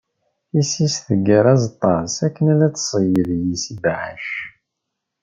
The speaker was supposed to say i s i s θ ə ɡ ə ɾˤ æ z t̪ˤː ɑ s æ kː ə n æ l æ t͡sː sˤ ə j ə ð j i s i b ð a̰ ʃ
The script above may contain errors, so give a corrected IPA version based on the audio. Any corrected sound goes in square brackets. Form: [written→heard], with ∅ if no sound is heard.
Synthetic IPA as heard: i s i s θ ə ɡ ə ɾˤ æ z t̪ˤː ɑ s æ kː ə n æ l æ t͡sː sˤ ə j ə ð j i s i b [ð→ʕ] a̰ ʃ